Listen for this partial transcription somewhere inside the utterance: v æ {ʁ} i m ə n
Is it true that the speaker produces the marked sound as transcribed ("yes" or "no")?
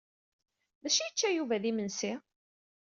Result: no